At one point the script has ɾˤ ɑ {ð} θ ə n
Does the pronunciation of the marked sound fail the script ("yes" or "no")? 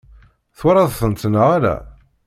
no